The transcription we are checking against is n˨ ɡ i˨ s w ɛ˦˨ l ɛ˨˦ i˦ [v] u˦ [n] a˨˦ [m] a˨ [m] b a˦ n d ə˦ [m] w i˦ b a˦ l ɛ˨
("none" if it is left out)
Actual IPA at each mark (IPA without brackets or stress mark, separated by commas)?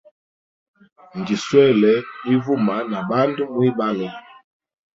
v, m, n, none, m